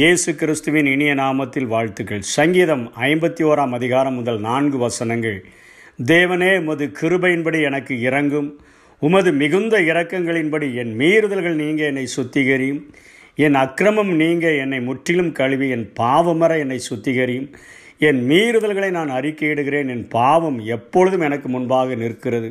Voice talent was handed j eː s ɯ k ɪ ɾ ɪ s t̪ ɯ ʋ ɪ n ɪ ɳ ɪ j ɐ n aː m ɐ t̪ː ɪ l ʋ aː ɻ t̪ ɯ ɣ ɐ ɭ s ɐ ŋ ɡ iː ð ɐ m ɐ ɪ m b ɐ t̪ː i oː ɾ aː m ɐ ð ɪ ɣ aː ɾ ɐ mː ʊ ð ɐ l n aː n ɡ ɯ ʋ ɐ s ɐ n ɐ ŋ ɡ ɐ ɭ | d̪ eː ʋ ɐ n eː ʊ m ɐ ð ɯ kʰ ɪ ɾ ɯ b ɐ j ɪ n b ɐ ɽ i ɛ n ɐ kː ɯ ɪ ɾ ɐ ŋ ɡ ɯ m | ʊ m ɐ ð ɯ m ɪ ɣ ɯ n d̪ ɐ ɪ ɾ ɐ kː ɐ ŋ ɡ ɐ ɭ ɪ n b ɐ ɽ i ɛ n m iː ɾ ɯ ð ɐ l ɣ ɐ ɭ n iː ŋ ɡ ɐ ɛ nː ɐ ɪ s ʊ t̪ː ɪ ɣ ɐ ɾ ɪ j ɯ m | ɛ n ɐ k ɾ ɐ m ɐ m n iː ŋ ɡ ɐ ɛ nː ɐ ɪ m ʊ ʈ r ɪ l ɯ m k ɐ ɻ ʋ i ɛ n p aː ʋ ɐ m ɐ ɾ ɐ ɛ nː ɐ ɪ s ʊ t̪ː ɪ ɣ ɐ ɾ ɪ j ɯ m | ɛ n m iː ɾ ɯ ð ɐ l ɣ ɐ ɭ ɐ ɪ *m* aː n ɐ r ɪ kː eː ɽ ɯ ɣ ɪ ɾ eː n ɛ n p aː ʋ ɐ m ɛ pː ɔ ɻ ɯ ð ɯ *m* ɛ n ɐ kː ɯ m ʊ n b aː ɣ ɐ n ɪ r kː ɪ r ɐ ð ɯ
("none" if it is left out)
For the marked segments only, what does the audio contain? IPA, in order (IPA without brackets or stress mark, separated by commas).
n, m